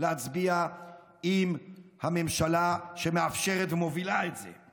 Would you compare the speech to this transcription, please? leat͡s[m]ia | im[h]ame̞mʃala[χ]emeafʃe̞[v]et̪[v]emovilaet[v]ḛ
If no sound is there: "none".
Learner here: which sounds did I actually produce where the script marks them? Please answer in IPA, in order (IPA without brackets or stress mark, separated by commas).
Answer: b, h, ʃ, ʁ, v, z